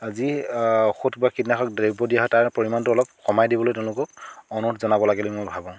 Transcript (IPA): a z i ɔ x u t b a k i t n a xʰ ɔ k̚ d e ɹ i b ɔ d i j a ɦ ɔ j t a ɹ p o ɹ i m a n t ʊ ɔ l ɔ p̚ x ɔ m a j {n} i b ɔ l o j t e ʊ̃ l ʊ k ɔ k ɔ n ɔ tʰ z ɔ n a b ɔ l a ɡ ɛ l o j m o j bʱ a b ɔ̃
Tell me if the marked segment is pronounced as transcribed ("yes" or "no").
no